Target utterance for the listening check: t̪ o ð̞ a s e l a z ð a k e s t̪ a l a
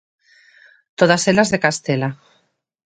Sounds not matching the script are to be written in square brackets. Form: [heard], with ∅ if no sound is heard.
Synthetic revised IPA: t̪ o ð̞ a s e l a z ð [e] k [a] s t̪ [e] l a